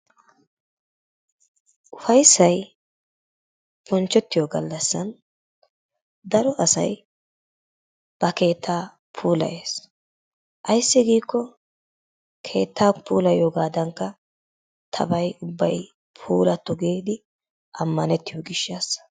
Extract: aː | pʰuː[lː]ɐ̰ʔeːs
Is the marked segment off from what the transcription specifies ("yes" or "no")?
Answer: yes